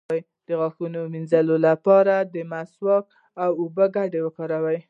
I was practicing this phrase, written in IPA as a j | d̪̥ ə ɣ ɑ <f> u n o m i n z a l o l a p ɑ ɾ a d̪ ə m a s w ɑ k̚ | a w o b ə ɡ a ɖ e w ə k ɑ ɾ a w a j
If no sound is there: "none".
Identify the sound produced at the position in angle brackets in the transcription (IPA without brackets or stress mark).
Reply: x